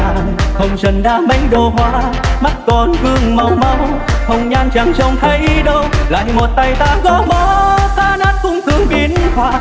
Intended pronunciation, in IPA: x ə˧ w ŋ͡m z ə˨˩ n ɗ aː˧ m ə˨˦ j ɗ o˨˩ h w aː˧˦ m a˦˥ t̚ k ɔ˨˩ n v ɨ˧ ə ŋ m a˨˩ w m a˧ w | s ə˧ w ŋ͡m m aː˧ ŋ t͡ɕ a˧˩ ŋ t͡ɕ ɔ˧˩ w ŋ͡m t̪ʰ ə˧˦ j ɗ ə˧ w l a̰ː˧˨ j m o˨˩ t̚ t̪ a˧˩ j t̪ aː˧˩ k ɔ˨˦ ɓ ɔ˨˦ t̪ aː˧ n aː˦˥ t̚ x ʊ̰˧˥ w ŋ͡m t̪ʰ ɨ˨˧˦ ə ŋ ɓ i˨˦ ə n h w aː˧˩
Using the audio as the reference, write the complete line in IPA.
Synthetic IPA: x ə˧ w ŋ͡m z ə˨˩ n ɗ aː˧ m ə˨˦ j ɗ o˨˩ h w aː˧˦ m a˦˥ t̚ k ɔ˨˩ n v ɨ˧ ə ŋ m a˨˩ w m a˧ w | x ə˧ w ŋ͡m ɲ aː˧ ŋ t͡ɕ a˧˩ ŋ t͡ɕ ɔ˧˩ w ŋ͡m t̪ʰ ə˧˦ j ɗ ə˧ w l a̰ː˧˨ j m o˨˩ t̚ t̪ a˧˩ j t̪ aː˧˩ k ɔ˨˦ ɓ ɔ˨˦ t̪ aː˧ n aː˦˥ t̚ k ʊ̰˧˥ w ŋ͡m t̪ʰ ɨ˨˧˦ ə ŋ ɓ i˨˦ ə n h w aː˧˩